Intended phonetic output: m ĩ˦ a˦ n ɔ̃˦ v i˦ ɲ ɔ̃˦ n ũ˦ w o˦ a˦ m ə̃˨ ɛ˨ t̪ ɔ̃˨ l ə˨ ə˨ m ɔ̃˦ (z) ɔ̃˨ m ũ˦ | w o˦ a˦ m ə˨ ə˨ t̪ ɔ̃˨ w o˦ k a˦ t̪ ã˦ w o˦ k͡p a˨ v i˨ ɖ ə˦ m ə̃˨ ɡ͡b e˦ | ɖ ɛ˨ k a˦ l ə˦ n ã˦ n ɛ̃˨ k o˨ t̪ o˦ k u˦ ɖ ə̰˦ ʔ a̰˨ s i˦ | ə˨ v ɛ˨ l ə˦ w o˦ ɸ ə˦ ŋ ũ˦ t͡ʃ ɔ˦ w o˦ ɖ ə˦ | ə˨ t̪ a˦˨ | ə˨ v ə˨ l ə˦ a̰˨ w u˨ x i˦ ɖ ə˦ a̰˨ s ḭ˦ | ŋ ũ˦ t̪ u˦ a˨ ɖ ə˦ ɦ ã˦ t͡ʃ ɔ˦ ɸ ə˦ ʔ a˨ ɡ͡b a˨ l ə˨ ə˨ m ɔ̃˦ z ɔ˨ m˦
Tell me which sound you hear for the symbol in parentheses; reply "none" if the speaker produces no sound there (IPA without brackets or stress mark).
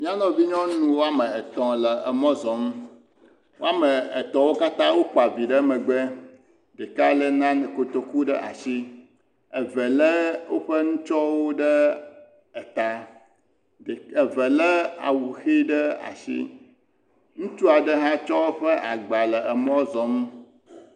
z